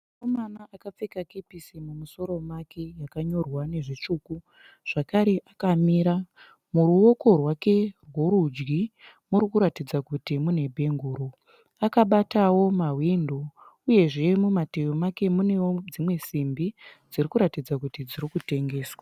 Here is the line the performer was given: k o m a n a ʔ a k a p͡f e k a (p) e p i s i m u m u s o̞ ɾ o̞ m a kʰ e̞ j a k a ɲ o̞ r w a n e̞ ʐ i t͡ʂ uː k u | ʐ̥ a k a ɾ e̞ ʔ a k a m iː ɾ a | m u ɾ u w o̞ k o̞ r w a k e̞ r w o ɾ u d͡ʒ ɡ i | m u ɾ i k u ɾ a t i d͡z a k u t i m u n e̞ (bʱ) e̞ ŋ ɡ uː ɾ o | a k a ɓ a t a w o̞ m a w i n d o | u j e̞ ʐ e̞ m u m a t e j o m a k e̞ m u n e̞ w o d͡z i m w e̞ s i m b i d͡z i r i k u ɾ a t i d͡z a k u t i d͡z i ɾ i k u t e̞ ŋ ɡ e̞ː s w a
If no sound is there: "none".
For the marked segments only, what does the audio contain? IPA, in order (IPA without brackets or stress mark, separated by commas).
k, bʱ